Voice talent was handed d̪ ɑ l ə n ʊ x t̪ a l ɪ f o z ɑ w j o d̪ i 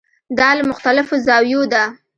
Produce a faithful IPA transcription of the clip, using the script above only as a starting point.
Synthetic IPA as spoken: d̪ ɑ l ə m ʊ x t̪ a l ɪ f o z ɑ w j o d̪ a